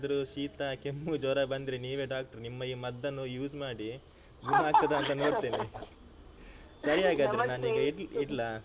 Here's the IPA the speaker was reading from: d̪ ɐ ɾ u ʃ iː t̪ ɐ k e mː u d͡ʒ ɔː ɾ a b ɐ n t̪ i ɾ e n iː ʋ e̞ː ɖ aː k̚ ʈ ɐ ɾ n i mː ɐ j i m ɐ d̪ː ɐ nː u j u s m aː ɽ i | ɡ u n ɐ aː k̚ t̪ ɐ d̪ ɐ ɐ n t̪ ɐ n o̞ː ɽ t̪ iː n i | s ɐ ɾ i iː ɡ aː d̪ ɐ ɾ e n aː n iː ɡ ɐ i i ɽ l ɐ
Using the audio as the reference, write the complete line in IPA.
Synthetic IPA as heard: d̪ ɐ ɾ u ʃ iː t̪ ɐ k e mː u d͡ʒ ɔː ɾ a b ɐ n d̪ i ɾ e n iː ʋ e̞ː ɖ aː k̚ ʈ ɐ ɾ n i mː ɐ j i m ɐ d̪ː ɐ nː u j uː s m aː ɽ i | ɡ u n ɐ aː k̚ t̪ ɐ d̪ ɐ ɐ n t̪ ɐ n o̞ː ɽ t̪ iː n i | s ɐ ɾ i aː ɡ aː d̪ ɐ ɾ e n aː n iː ɡ ɐ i i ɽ l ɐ